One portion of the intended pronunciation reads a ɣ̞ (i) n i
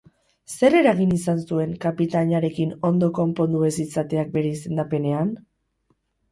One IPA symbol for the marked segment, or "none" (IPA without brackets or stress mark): i